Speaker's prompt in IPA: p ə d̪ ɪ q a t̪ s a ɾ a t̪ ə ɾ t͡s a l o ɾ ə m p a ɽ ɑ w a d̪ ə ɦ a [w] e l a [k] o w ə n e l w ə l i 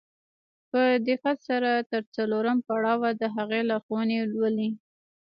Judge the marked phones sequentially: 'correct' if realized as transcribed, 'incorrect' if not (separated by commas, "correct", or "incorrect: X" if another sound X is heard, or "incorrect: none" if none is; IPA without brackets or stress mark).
incorrect: ɣ, incorrect: x